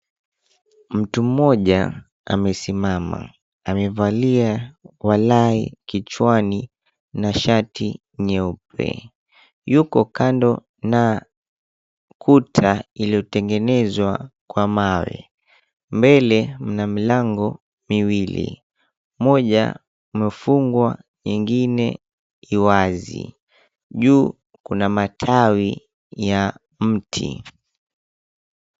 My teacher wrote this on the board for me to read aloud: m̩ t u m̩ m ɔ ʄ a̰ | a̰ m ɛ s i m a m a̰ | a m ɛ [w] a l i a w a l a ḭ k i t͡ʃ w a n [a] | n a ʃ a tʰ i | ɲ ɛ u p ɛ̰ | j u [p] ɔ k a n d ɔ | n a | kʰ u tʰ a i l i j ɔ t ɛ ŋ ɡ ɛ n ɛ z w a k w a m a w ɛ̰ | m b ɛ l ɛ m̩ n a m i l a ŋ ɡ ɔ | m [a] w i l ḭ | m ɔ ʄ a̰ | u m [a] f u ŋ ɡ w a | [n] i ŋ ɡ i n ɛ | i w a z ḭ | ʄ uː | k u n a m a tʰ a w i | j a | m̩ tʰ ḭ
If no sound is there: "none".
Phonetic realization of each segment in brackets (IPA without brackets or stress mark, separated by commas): v, i, k, i, ɛ, ɲ